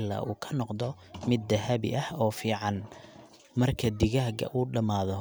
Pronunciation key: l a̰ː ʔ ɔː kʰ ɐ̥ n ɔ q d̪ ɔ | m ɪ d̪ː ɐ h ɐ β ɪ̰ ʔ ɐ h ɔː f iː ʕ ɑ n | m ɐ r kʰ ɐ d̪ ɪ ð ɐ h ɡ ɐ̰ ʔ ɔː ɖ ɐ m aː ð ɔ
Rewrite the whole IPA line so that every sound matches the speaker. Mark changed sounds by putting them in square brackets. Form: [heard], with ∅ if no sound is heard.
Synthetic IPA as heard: l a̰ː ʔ [uː] kʰ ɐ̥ n ɔ q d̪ ɔ | m ɪ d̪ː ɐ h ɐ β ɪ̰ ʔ ɐ h ɔː f iː ʕ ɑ n | m ɐ r kʰ ɐ d̪ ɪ [ɣ] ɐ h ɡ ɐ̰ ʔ [uː] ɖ ɐ m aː ð ɔ